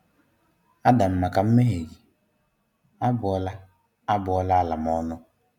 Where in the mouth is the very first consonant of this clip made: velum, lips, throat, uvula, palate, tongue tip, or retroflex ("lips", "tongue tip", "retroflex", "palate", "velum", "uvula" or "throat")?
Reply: tongue tip